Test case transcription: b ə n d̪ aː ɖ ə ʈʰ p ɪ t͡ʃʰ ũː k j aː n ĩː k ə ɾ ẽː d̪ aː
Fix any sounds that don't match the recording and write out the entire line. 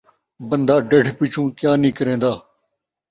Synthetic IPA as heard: b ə n d̪ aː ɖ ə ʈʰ p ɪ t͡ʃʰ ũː k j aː n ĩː k ə ɾ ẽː d̪ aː